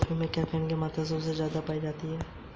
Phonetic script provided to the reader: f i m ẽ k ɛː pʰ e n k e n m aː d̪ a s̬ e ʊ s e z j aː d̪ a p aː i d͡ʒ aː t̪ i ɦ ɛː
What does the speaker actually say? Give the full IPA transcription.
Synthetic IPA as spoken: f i m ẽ k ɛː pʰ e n k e m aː t̪ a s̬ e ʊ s e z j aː d̪ a p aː i d͡ʒ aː t̪ i ɦ ɛː

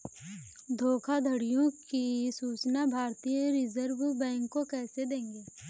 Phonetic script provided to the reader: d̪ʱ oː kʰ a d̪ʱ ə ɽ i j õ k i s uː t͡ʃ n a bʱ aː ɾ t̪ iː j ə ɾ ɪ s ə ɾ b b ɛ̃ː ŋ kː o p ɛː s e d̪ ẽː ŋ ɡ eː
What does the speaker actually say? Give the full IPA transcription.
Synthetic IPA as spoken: d̪ʱ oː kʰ a d̪ʱ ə ɽ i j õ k i s uː t͡ʃ n a bʱ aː ɾ t̪ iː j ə ɾ ɪ z ə ɾ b b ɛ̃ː ŋ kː o k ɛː s e d̪ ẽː ŋ ɡ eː

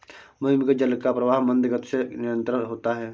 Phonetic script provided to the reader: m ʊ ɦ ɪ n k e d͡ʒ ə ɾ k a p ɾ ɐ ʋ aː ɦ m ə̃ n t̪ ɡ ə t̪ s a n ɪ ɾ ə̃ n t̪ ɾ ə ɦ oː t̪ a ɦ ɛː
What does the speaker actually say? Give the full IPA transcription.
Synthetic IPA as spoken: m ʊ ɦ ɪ m k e d͡ʒ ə l k a p ɾ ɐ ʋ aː ɦ m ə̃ n d̪ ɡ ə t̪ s e n ɪ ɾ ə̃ n t̪ ɾ ə ɦ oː t̪ a ɦ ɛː

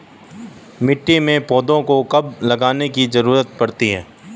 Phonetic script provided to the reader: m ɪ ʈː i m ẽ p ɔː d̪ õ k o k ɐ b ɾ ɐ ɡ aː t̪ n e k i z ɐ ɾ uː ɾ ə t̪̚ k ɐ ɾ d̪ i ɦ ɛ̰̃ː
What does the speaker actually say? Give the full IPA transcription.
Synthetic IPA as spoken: m ɪ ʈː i m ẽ p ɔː d̪ õ k o k ɐ b l ɐ ɡ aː n e k i z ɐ ɾ uː ɾ ə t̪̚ p ɐ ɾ t̪ i ɦ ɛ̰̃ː

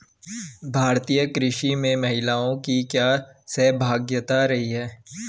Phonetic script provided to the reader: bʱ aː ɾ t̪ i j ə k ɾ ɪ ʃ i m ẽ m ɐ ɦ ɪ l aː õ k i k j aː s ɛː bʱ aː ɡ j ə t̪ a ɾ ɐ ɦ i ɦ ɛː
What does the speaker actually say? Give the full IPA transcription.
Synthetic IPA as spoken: bʱ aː ɾ t̪ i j ə k ɾ ɪ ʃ i m ẽ m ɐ ɦ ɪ l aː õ k i k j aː s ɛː bʱ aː ɡ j ə t̪ a ɾ ɐ ɦ i ɦ ɛː

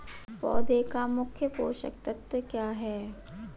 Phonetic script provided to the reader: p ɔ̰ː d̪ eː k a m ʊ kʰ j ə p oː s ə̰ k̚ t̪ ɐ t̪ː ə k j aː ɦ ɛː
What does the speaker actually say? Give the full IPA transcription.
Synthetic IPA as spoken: p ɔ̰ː d̪ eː k a m ʊ kʰ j ə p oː ʃ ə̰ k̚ t̪ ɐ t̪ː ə k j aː ɦ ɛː

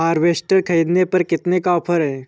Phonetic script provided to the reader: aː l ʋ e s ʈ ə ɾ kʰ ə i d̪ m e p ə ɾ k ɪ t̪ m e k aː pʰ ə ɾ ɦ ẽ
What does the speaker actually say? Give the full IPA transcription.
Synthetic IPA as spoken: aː ɾ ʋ e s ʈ ə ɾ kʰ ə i d̪ n e p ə ɾ k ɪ t̪ n e k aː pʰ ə ɾ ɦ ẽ

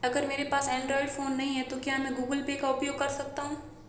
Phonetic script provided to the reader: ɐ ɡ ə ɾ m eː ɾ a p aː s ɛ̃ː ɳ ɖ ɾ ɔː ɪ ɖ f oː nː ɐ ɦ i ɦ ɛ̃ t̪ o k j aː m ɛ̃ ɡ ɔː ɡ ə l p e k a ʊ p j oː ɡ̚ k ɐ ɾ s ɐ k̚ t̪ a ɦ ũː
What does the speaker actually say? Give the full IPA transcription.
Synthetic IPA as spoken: ɐ ɡ ə ɾ m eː ɾ e p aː s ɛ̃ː ɳ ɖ ɾ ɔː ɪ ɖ f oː nː ɐ ɦ ĩ ɦ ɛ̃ t̪ o k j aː m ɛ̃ ɡ uː ɡ ə l p e k a ʊ p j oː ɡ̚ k ɐ ɾ s ɐ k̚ t̪ a ɦ ũː

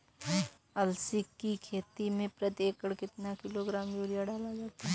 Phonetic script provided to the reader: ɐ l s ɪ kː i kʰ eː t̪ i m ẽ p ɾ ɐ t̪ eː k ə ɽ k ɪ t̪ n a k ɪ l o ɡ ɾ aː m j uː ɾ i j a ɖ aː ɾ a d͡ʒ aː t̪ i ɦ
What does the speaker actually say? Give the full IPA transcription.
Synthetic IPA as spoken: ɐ l s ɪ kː i kʰ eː t̪ i m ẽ p ɾ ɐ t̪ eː k ə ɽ k ɪ t̪ n a k ɪ l o ɡ ɾ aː m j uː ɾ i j a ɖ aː l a d͡ʒ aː t̪ a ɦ

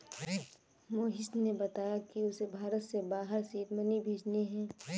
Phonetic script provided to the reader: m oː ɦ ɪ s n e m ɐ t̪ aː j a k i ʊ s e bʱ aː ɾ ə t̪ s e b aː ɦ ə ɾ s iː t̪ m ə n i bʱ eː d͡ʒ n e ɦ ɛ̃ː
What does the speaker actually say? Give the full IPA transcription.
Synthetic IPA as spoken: m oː ɦ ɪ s n e b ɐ t̪ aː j a k i ʊ s e bʱ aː ɾ ə t̪ s e b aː ɦ ə ɾ s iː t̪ m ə n i bʱ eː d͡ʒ n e ɦ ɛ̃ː

